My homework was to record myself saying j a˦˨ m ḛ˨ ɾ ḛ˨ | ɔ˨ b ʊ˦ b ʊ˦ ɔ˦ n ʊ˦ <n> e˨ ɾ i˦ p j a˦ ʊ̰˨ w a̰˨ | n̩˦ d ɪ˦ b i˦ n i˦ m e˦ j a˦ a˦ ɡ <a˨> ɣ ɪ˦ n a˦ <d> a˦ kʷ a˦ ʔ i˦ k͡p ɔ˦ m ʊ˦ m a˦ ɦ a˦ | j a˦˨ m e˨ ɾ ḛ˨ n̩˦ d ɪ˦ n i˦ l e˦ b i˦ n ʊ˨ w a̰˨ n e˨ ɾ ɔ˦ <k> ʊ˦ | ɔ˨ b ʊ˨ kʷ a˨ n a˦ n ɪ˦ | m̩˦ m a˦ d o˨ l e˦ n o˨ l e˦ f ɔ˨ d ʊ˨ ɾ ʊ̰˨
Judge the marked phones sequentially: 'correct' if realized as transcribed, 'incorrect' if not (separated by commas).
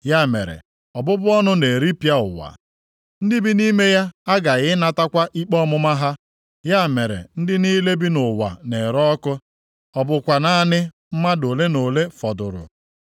correct, correct, incorrect, correct